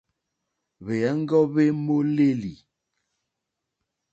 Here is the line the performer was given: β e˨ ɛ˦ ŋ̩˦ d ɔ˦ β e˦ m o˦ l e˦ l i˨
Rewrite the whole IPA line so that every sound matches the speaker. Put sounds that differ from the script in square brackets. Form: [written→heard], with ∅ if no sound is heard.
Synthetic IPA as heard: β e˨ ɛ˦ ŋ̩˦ [d→ɡ] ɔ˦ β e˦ m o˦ l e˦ l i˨